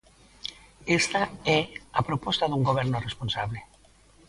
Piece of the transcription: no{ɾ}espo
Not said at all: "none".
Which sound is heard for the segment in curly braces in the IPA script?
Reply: r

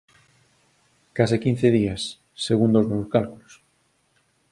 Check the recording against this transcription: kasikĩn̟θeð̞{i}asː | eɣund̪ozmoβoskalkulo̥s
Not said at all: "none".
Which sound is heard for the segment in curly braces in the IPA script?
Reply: i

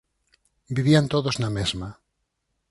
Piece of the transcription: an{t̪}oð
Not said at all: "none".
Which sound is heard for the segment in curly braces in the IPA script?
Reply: t̪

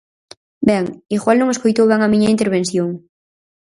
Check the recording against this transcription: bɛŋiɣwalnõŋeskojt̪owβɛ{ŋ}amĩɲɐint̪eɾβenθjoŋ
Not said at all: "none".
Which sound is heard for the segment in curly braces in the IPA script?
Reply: ŋ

